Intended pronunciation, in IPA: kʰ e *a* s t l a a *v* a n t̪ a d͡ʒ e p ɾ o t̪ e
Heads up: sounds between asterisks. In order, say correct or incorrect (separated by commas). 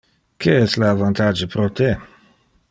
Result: incorrect, correct